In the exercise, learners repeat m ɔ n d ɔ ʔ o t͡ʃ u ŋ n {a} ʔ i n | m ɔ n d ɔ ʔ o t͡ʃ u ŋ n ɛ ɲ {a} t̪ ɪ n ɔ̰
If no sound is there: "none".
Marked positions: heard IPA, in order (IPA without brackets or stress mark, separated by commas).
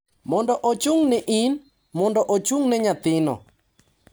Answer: ɛ, a